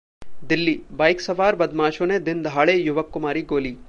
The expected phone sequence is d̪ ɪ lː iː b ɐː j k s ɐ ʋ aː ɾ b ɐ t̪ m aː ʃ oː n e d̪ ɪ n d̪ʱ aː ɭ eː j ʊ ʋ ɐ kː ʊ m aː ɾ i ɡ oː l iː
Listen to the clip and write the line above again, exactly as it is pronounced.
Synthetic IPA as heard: d̪ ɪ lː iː b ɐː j k s ɐ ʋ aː ɾ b ɐ d̪ m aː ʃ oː n e d̪ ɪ n d̪ʱ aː ɭ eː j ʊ ʋ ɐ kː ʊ m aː ɾ i ɡ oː l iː